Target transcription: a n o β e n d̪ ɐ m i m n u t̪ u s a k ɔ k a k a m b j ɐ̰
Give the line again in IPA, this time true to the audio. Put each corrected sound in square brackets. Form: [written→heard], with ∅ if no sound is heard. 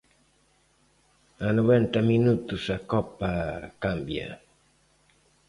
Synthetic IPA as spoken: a n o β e n [d̪→t̪] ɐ m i [m→∅] n u t̪ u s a k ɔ [k→p] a k a m b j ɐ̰